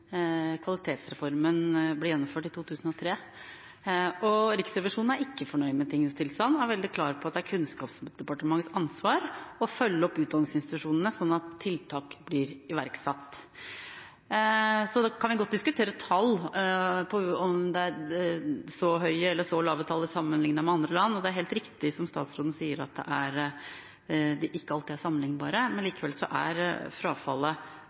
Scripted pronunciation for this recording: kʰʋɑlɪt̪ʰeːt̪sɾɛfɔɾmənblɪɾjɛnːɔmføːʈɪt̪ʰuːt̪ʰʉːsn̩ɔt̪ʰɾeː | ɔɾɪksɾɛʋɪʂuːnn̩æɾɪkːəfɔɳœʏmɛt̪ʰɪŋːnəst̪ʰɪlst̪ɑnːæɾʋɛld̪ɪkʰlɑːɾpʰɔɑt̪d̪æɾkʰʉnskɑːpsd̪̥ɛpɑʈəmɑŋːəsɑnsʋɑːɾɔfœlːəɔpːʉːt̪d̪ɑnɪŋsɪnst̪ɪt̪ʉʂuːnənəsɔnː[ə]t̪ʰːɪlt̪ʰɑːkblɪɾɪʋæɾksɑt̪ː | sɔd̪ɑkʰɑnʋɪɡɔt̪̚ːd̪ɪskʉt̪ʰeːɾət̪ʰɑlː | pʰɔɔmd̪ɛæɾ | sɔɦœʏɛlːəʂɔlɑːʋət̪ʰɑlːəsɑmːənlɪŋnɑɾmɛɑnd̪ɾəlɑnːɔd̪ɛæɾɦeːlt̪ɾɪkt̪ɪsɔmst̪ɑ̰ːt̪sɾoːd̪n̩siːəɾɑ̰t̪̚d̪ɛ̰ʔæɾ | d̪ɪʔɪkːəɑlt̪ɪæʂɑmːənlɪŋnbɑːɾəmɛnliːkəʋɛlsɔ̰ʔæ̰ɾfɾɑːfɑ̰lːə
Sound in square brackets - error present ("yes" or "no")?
yes